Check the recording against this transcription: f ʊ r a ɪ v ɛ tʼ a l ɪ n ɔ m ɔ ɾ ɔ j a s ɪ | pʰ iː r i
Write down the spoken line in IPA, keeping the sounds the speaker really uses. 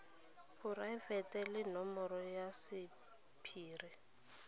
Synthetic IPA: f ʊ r a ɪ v ɛ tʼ ɛ l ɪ n ɔ m ɔ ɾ ɔ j a s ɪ | pʰ iː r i